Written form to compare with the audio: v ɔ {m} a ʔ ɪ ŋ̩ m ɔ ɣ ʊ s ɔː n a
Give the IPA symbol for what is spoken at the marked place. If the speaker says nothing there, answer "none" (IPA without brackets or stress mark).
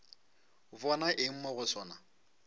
n